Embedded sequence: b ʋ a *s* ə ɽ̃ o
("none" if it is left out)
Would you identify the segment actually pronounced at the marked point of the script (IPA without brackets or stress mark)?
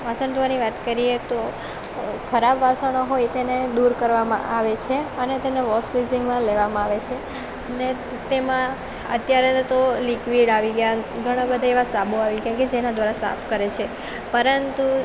s